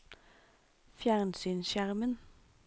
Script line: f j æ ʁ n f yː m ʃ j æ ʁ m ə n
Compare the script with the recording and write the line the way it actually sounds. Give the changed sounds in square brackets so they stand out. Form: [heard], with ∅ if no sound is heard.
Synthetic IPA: f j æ ʁ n [s] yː [n] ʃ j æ ʁ m ə n

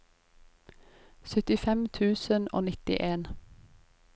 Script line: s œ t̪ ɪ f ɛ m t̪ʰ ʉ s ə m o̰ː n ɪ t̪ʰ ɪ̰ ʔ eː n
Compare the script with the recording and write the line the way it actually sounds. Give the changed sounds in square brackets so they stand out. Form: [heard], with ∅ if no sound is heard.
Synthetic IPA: s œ t̪ ɪ f ɛ m t̪ʰ [ʉː] s ə [n] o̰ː n ɪ [t̪] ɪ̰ ʔ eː n

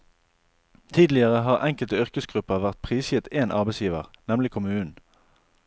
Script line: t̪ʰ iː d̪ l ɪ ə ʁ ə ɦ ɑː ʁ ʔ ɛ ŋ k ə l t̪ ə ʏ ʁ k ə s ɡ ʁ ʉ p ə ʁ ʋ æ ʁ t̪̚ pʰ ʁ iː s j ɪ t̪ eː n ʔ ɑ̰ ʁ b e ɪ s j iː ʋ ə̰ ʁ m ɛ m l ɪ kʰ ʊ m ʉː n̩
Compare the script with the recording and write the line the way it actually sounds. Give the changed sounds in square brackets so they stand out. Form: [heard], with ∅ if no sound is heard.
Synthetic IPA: t̪ʰ iː d̪ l ɪ ə ʁ ə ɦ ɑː ʁ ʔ ɛ ŋ k ə l t̪ ə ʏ ʁ k ə s ɡ ʁ ʉ p ə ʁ ʋ æ ʁ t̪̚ pʰ ʁ iː s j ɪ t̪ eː n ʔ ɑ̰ ʁ b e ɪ s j iː ʋ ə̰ ʁ [n] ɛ m l ɪ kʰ ʊ m ʉː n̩

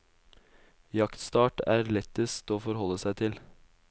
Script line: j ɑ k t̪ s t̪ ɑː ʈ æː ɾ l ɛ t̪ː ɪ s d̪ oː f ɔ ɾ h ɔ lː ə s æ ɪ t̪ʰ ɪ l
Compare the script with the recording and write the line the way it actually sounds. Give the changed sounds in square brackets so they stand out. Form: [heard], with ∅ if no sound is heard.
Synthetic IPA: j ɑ k t̪ s t̪ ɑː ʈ æː ɾ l ɛ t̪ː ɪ s [t̪] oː f ɔ ɾ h ɔ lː ə s æ ɪ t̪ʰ ɪ l

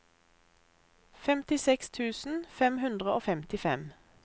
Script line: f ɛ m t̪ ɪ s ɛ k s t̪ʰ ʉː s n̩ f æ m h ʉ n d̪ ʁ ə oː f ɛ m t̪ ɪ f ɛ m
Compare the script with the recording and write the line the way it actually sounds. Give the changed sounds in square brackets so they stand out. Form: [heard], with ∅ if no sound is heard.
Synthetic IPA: f ɛ m t̪ ɪ s ɛ k s t̪ʰ ʉː s n̩ f [ɛ] m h ʉ n d̪ ʁ ə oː f ɛ m t̪ ɪ f ɛ m

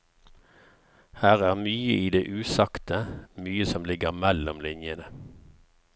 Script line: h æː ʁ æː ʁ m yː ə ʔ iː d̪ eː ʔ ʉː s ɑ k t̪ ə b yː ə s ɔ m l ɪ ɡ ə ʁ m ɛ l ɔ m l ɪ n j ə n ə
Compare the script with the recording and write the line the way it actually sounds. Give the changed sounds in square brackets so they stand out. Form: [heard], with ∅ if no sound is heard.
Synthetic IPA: h æː ʁ æː ʁ m yː ə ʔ iː d̪ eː ʔ ʉː s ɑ k t̪ ə [m] yː ə s ɔ m l ɪ ɡ ə ʁ m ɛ l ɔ m l ɪ n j ə n ə

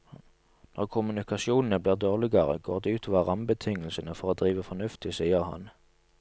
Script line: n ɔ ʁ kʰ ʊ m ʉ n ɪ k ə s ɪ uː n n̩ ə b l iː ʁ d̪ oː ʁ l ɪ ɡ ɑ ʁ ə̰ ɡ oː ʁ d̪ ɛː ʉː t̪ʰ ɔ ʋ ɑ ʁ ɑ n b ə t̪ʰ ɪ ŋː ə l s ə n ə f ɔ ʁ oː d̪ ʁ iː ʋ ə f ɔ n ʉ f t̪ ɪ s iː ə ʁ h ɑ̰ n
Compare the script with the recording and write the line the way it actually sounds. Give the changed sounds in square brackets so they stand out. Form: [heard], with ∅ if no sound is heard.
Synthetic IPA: n ɔ ʁ kʰ ʊ m ʉ n ɪ k [ɑ] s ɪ uː n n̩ ə b l iː ʁ d̪ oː ʁ l ɪ ɡ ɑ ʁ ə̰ ɡ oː ʁ d̪ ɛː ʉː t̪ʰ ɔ ʋ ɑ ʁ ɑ [m] b ə t̪ʰ ɪ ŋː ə l s ə n ə f ɔ ʁ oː d̪ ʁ iː ʋ ə f ɔ n ʉ f t̪ ɪ s iː ə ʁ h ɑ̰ n

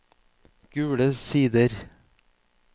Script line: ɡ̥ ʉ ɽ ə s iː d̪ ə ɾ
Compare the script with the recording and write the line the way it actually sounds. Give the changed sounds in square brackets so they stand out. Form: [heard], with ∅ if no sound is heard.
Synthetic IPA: ɡ̥ [ʉː] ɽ ə s iː d̪ ə ɾ

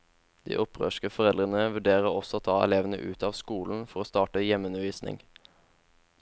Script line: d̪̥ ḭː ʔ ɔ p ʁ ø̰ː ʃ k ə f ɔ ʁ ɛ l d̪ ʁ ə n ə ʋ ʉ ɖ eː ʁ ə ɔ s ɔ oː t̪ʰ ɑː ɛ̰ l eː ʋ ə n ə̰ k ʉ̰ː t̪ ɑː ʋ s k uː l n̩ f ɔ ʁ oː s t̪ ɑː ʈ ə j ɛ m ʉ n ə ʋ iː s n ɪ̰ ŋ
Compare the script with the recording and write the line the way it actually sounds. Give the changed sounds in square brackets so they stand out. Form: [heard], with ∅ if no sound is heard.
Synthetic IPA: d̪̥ ḭː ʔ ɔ p ʁ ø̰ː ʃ k ə f ɔ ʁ ɛ l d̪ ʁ ə n ə ʋ ʉ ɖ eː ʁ ə ɔ s ɔ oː t̪ʰ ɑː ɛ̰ l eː ʋ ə n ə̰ [ʔ] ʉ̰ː t̪ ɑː ʋ s k uː l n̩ f ɔ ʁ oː s t̪ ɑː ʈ ə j ɛ m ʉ n ə ʋ iː s n ɪ̰ ŋ

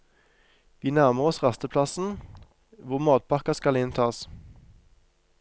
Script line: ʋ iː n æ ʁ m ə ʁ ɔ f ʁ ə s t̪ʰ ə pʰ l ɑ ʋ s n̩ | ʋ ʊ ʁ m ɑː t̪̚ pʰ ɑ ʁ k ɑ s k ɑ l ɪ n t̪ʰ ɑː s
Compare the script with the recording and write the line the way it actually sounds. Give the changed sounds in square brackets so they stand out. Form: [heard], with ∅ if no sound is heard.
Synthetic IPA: ʋ iː n æ ʁ m ə ʁ ɔ [s] ʁ [ɑ] s [t̪] ə pʰ l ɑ [∅] s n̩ | ʋ ʊ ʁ m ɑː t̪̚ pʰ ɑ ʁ k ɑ s k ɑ l ɪ n t̪ʰ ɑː s

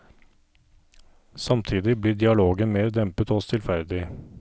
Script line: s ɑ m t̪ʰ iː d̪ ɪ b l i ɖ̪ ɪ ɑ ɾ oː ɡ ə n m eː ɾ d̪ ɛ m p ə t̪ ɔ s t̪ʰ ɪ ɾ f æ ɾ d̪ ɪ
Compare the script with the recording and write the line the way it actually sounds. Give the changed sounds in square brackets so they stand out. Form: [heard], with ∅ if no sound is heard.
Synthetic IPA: s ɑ m t̪ʰ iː d̪ ɪ b l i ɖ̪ ɪ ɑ [l] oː ɡ ə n m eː ɾ d̪ ɛ m p ə t̪ ɔ s t̪ʰ ɪ [l] f æ ɾ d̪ ɪ

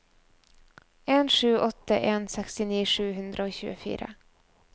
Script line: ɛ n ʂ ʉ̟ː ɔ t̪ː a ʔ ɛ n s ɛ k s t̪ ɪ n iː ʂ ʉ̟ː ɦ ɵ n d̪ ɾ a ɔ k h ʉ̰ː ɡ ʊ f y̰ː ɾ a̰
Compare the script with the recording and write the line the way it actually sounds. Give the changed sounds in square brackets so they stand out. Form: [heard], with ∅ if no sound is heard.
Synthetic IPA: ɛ n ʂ ʉ̟ː ɔ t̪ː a ʔ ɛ n s ɛ k s t̪ ɪ n iː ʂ ʉ̟ː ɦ ɵ n d̪ ɾ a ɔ k [ɕ] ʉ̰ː ɡ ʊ f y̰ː ɾ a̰

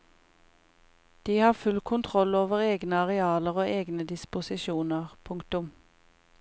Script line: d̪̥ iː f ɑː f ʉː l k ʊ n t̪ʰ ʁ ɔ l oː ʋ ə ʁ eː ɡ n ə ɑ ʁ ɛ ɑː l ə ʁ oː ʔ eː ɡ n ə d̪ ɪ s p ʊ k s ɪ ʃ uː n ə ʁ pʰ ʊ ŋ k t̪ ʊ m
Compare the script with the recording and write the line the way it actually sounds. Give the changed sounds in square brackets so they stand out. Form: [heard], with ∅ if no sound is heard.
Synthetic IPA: d̪̥ iː [h] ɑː f [ʉ] l [kʰ] ʊ n t̪ʰ ʁ ɔ l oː ʋ ə ʁ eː ɡ n ə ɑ ʁ ɛ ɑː l ə ʁ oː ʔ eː ɡ n ə d̪ ɪ s p ʊ [∅] s ɪ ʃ uː n ə ʁ pʰ ʊ ŋ k t̪ ʊ m

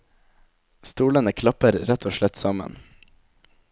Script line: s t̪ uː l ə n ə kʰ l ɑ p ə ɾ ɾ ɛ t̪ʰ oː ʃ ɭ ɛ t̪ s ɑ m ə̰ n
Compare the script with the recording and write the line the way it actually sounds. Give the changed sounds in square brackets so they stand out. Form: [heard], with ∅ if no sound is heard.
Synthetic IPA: s t̪ uː l ə n ə kʰ l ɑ p ə ɾ ɾ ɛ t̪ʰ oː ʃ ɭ ɛ t̪ s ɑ m ə̰ n

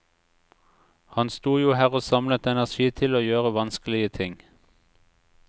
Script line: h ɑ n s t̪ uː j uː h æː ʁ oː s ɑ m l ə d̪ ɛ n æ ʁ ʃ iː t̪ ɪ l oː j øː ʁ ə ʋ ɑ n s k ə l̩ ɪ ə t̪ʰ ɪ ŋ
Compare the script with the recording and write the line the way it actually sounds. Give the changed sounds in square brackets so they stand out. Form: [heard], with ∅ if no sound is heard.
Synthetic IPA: h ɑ n s t̪ uː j uː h æː ʁ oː s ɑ m l ə [t̪] ɛ n æ ʁ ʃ iː [t̪ʰ] ɪ l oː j øː ʁ ə ʋ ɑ n s k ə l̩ ɪ ə t̪ʰ ɪ ŋ

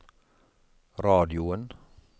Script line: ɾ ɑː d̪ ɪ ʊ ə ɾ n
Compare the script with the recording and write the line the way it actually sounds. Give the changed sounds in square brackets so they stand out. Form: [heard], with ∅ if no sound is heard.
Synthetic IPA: ɾ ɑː d̪ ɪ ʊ ə [∅] n

